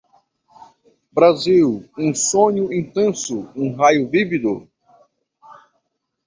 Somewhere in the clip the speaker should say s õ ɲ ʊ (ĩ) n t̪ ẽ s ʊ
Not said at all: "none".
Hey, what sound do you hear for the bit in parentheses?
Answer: ĩ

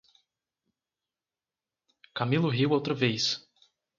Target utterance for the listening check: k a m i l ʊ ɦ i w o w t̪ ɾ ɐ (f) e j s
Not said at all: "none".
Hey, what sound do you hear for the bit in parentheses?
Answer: v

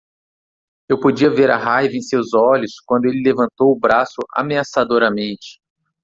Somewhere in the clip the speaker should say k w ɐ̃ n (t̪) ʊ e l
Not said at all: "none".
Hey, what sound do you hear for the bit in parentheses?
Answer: d̪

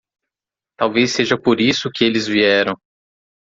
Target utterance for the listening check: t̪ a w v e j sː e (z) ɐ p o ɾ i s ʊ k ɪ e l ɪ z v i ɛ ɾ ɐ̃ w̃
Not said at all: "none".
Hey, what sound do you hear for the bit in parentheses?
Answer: ʒ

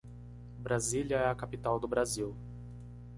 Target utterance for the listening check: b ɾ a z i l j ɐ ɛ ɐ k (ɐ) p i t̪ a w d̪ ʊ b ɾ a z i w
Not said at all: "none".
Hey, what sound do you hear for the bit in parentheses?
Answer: a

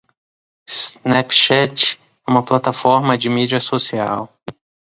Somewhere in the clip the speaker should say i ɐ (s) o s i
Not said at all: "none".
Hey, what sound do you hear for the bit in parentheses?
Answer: s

